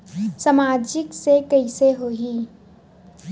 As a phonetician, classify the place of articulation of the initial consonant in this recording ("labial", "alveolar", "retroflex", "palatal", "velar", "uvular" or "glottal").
alveolar